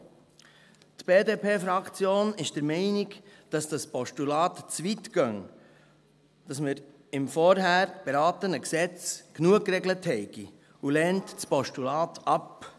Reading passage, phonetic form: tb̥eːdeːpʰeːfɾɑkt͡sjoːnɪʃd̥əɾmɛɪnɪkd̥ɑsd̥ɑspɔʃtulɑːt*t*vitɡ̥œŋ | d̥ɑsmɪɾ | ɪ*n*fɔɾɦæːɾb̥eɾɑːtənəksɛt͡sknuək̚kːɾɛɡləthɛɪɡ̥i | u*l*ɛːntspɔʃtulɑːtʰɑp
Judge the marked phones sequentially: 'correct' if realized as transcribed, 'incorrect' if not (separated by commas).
incorrect, incorrect, correct